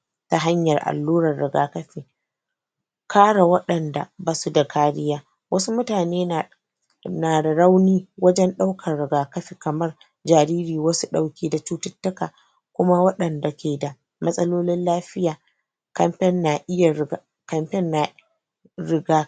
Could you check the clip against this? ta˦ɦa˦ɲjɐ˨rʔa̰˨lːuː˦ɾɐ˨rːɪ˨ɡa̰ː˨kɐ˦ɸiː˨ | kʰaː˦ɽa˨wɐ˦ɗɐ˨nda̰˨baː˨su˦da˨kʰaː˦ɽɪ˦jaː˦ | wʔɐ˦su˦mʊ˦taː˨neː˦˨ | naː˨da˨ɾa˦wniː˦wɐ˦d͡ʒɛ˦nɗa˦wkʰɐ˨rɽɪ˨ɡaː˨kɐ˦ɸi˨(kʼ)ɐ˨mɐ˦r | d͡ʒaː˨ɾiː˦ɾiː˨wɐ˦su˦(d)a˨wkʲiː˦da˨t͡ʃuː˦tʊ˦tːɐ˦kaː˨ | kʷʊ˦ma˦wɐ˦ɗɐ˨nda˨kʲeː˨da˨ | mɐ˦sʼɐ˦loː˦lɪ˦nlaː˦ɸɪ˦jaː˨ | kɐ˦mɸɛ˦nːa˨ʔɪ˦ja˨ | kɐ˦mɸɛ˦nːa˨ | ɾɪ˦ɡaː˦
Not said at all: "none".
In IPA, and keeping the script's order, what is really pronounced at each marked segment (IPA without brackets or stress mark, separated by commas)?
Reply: k, ɗ